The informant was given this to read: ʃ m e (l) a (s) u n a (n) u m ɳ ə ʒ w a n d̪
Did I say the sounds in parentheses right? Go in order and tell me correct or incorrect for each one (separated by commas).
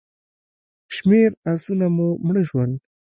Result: incorrect, correct, incorrect